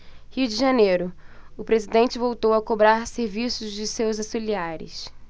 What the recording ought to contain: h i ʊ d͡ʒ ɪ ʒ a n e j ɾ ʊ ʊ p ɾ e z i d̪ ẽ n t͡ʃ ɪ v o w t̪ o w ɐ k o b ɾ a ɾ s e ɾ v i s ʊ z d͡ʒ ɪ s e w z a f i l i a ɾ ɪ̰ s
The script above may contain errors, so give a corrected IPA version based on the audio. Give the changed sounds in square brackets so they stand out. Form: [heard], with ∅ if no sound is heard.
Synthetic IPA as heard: h i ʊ d͡ʒ ɪ ʒ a n e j ɾ ʊ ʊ p ɾ e z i d̪ ẽ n t͡ʃ ɪ v o w t̪ o w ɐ k o b ɾ a ɾ s e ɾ v i s ʊ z d͡ʒ ɪ s e w z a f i l i a ɾ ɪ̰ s